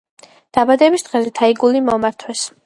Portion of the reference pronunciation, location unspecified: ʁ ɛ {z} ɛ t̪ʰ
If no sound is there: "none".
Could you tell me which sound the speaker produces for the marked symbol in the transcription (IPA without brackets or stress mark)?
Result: z